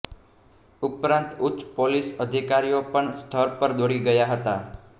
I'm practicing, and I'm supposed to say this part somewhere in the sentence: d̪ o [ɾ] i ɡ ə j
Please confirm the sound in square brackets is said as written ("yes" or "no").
no